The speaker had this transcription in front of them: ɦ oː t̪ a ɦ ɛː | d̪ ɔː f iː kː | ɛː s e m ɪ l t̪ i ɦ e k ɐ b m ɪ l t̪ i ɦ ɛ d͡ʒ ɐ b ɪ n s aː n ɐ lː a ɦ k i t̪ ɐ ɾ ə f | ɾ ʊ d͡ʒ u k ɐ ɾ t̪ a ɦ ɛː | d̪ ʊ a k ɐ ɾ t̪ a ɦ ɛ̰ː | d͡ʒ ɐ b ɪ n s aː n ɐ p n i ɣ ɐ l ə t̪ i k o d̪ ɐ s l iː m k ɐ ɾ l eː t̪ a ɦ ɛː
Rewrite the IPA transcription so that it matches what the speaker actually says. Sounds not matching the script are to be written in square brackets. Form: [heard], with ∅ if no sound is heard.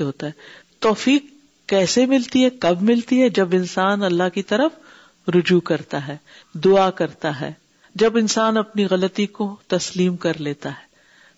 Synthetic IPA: ɦ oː t̪ a ɦ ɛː | [t̪] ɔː f iː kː | ɛː s e m ɪ l t̪ i ɦ [ɛ] k ɐ b m ɪ l t̪ i ɦ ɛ d͡ʒ ɐ b ɪ n s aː n ɐ lː a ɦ k i t̪ ɐ ɾ ə f | ɾ ʊ d͡ʒ u k ɐ ɾ t̪ a ɦ ɛː | d̪ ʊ a k ɐ ɾ t̪ a ɦ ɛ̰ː | d͡ʒ ɐ b ɪ n s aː n ɐ p n i ɣ ɐ l ə t̪ i k o [t̪] ɐ s l iː m k ɐ ɾ l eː t̪ a ɦ ɛː